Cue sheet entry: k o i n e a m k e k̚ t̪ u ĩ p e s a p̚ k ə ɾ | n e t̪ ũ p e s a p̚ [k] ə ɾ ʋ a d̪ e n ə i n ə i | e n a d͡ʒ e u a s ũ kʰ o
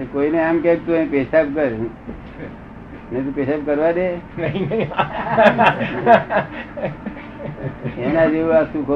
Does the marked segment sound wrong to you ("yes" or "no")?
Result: no